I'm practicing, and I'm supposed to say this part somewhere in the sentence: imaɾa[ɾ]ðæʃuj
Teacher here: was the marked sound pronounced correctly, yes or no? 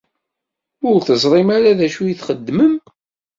no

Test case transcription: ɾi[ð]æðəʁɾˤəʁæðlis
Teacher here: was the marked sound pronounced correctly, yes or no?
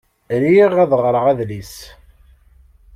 no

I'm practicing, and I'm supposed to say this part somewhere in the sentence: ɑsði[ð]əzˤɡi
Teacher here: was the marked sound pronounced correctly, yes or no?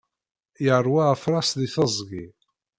no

